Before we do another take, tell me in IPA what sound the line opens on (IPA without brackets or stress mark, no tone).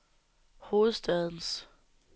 h